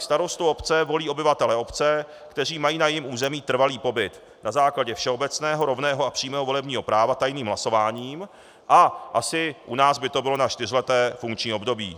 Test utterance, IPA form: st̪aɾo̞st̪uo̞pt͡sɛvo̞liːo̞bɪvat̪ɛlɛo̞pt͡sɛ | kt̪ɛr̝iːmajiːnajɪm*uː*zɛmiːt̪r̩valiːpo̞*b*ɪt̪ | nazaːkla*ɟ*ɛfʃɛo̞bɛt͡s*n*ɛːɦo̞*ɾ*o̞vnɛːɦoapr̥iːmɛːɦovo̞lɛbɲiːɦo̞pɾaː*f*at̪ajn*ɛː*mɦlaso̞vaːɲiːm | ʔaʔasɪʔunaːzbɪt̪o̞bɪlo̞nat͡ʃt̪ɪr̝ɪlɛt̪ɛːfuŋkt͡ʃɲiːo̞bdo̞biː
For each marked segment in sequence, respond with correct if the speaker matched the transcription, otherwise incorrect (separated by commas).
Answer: correct, correct, correct, correct, correct, incorrect, incorrect